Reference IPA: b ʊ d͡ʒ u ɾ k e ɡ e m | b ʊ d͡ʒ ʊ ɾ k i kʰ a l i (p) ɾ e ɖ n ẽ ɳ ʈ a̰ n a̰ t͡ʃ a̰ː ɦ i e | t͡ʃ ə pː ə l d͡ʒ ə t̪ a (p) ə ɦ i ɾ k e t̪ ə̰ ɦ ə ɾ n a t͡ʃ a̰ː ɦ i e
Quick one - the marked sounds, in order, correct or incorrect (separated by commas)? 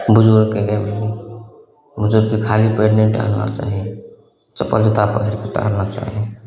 correct, correct